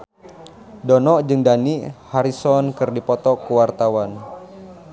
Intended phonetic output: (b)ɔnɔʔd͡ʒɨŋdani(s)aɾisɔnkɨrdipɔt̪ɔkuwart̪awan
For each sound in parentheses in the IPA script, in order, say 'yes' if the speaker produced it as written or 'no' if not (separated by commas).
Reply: no, no